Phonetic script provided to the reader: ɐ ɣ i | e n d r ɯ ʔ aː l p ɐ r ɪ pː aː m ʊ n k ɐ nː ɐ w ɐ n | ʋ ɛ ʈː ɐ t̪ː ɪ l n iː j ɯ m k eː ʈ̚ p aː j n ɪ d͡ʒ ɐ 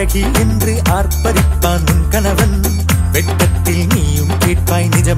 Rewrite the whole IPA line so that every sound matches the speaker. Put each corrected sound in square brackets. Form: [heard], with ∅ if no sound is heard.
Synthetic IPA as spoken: ɐ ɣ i | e n d r ɯ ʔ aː [ɾ] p ɐ [ɾ] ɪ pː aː [n] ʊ n k ɐ [n] ɐ [ʋ] ɐ n | ʋ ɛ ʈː ɐ t̪ː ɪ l n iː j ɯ m k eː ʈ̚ p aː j n ɪ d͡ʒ ɐ